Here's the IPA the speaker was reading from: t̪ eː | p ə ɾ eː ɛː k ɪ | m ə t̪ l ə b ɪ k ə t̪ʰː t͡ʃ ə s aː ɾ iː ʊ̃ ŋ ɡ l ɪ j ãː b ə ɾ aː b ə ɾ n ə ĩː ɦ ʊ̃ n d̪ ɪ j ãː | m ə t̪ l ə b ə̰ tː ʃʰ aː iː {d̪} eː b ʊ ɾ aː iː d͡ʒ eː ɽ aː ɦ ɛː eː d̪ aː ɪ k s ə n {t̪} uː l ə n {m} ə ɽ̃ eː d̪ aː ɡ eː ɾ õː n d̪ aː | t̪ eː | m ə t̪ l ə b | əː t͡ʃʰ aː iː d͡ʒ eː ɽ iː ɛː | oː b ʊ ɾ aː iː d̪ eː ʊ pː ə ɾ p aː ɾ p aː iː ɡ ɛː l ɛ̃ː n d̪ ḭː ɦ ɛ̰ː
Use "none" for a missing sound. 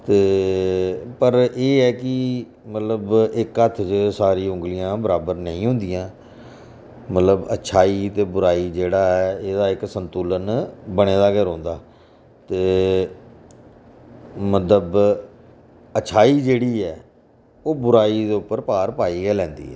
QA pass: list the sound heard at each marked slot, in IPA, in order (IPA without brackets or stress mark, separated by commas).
t̪, t̪, b